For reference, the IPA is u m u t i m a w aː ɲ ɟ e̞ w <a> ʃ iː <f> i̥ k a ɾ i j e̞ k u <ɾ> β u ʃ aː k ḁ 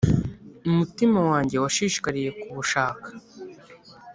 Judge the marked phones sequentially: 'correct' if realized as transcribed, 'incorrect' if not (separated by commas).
correct, incorrect, incorrect